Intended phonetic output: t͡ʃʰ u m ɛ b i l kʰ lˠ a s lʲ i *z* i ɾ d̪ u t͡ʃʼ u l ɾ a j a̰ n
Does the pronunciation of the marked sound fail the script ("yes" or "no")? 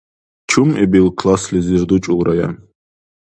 no